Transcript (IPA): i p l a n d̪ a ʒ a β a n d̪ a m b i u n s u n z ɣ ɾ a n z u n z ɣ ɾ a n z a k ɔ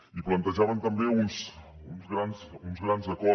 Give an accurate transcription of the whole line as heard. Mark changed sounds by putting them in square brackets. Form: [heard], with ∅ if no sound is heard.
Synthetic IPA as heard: i p l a n [t̪] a ʒ a β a n [t̪] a m b [e] u n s u n z ɣ ɾ a n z u n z ɣ ɾ a n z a k ɔ

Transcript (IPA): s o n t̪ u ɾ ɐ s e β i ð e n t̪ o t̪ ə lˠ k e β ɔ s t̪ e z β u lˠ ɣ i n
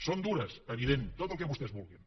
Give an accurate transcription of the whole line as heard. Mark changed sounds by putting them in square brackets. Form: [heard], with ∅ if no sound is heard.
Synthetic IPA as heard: s o n [d̪] u ɾ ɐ s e β i ð e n t̪ o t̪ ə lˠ k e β [u] s t̪ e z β u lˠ ɣ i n

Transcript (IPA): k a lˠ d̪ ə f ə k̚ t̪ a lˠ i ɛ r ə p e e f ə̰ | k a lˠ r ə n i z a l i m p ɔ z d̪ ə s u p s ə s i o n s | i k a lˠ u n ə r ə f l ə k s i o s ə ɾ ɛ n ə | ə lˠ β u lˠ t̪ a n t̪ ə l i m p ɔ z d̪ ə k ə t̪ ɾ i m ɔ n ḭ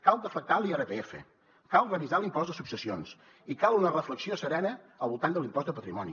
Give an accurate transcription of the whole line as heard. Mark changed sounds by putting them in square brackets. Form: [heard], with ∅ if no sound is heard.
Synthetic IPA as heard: k a lˠ d̪ ə f ə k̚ t̪ a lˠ i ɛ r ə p e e f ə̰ | k a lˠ r ə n i z a l i m p ɔ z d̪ ə s u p s ə s i o n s | i k a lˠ u n ə r ə f l ə k s i o s ə ɾ ɛ n ə | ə lˠ β u lˠ t̪ a n [d̪] ə l i m p ɔ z d̪ ə [p] ə t̪ ɾ i m ɔ n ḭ

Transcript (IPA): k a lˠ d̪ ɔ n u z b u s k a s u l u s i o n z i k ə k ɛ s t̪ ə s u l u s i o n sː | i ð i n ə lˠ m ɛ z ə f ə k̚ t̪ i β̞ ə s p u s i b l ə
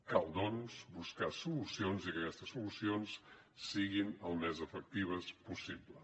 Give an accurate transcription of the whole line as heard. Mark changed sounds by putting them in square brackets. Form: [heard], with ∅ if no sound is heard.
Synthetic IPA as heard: k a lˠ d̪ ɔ n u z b u s k a s u l u s i o n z i k ə k ɛ s t̪ ə s u l u s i o n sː | i [ɣ] i n ə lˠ m ɛ z ə f ə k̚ t̪ i β̞ ə s p u s i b l ə

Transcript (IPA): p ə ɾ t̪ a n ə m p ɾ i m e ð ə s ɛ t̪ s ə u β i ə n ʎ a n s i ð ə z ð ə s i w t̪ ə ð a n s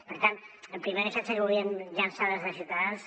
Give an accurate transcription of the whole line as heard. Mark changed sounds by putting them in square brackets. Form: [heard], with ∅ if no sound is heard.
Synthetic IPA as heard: p ə ɾ t̪ a n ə m p ɾ i m e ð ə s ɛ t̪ s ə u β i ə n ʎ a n s [a] ð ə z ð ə s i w t̪ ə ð a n s

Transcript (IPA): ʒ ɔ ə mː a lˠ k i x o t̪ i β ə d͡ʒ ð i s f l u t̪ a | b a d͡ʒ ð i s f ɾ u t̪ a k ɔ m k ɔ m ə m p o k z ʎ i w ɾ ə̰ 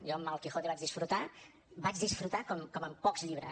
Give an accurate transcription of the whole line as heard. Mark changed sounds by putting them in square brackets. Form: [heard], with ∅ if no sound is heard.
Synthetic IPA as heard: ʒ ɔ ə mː a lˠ k i x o t̪ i β [a] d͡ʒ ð i s f [ɾ] u t̪ a | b a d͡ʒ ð i s f ɾ u t̪ a k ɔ m k ɔ m ə m p [ɔ] k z ʎ i [β] ɾ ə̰

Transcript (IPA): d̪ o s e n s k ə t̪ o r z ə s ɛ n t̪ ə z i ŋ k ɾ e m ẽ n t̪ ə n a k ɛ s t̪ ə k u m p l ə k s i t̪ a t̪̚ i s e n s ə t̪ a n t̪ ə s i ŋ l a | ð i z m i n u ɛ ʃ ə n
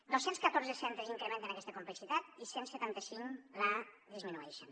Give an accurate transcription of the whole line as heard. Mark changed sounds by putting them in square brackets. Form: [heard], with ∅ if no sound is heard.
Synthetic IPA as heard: d̪ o s e n s k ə t̪ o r z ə s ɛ n t̪ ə z i ŋ k ɾ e m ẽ n t̪ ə n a k ɛ s t̪ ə k u m p l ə k s i t̪ a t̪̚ i s e n s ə t̪ a n t̪ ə s i ŋ l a | ð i z m i n u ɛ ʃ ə n

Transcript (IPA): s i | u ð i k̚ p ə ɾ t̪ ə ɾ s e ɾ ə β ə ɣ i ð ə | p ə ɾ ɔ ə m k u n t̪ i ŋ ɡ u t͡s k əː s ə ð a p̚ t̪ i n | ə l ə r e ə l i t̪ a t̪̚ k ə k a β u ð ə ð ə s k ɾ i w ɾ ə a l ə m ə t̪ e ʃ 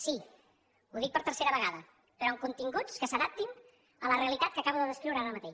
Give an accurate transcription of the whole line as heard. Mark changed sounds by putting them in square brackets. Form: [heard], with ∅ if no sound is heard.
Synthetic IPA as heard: s i | u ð i k̚ p ə ɾ t̪ ə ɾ s e ɾ ə β ə ɣ [a] ð ə | p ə ɾ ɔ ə [ŋ] k u n t̪ i ŋ ɡ u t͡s k [ə] s ə ð a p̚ t̪ i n | ə l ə r e ə l i t̪ a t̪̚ k ə k a β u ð ə ð ə s k ɾ i w ɾ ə a [ɾ] ə m ə t̪ e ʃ

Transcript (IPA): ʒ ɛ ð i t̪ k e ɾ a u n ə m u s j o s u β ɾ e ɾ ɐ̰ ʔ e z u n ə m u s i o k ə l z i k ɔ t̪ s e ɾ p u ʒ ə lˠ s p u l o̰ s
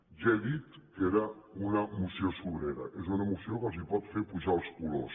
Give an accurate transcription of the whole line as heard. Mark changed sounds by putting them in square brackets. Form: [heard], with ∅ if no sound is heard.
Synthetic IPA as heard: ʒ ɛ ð i t̪ k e ɾ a u n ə m u s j o s u β ɾ e ɾ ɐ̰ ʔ e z u n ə m u s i o k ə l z i [p] ɔ t̪ [f] e ɾ p u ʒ [a] lˠ s [k] u l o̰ s

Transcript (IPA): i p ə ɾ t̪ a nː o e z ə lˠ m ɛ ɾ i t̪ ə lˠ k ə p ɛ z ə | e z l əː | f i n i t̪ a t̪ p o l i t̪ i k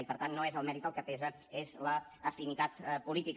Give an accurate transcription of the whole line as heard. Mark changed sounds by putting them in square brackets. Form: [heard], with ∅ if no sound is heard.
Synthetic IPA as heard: i p ə ɾ t̪ a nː o e z ə lˠ m ɛ ɾ i t̪ ə lˠ k ə p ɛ z ə | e z l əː | f i n i t̪ a t̪ p [u] l i t̪ i k

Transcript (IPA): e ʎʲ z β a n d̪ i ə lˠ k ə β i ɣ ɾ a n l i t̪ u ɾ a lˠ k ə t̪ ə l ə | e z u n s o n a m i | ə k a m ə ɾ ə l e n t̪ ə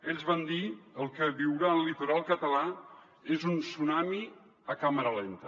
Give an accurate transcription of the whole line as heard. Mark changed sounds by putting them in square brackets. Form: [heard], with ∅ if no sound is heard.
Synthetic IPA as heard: e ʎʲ z β a n d̪ i ə lˠ k ə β i [w] ɾ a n l i t̪ u ɾ a lˠ k ə t̪ ə l [a] | e z u n s [u] n a m i | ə k a m ə ɾ ə l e n t̪ ə

